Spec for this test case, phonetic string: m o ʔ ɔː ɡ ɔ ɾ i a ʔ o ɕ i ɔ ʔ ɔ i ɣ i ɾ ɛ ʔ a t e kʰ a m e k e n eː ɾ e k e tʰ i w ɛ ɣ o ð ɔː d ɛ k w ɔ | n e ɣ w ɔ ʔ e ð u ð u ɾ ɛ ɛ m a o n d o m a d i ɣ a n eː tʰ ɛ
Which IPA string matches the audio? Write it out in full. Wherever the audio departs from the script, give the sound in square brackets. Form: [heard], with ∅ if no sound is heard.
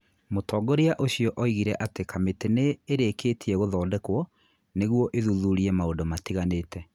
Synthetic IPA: m o [t] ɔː ɡ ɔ ɾ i a ʔ o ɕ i ɔ ʔ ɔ i ɣ i ɾ ɛ ʔ a t e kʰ a m e [t] e n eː ɾ e k e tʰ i [∅] ɛ ɣ o ð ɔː d ɛ k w ɔ | n e ɣ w ɔ ʔ e ð u ð u ɾ [i] ɛ m a o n d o m a [t] i ɣ a n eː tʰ ɛ